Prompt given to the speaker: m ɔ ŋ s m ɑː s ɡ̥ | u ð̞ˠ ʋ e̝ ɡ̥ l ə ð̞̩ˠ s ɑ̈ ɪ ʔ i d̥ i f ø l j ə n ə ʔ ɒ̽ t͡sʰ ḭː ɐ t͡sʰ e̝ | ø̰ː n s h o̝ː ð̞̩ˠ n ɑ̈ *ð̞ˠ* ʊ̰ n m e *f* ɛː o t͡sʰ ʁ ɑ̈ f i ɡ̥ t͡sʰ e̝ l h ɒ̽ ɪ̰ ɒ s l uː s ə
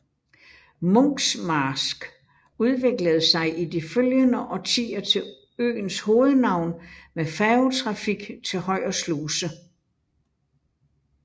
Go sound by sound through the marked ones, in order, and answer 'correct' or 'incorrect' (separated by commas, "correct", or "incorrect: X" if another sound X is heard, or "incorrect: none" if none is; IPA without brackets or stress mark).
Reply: incorrect: none, correct